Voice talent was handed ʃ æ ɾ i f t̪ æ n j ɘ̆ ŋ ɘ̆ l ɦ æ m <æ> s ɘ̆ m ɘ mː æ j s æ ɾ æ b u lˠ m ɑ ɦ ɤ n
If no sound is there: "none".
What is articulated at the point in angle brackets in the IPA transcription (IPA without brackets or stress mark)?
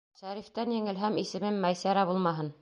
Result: i